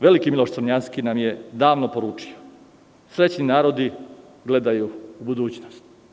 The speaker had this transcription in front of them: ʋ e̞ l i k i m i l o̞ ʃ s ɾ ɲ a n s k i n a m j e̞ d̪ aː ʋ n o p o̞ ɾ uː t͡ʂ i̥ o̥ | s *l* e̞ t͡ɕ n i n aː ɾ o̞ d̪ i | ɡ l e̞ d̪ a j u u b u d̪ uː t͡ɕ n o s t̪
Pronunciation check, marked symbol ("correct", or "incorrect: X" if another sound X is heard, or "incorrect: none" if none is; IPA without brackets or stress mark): incorrect: ɾ